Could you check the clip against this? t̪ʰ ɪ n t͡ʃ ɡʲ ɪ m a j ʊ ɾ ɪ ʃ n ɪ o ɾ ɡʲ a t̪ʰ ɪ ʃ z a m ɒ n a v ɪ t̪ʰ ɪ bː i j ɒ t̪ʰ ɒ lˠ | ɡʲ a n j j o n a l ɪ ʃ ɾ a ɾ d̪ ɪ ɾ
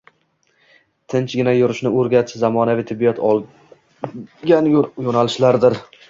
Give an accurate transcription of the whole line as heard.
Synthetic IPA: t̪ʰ ɪ n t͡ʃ ɡʲ ɪ n a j ʊ ɾ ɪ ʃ n ɪ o ɾ ɡʲ a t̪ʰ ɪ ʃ z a m ɒ n a v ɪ t̪ʰ ɪ bː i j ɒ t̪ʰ ɒ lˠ | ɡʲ a n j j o n a l ɪ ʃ l a ɾ d̪ ɪ ɾ